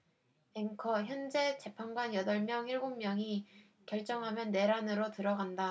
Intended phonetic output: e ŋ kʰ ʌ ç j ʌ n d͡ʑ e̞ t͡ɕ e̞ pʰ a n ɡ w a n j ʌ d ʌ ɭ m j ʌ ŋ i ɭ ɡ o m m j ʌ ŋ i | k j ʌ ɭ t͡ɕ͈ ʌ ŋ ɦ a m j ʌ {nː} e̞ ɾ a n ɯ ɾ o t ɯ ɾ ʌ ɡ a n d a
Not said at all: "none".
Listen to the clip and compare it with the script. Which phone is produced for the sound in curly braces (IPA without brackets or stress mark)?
nː